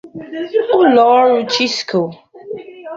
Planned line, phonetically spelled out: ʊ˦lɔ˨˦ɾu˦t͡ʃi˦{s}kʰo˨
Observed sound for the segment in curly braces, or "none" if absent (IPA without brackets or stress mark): s